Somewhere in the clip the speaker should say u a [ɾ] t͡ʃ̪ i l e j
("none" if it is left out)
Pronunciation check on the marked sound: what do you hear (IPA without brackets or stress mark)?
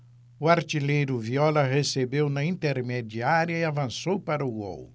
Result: ɾ